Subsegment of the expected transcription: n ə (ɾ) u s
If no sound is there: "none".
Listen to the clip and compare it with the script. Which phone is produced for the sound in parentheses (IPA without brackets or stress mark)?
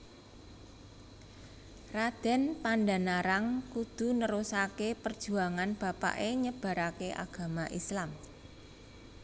ɾ